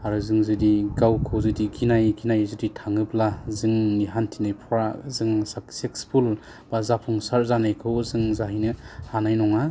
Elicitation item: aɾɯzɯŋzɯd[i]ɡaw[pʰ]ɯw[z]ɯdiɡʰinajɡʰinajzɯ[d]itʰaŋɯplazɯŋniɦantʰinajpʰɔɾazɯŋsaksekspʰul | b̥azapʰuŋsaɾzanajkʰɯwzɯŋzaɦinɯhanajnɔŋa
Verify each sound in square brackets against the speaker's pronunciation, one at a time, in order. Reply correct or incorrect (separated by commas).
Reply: correct, incorrect, correct, correct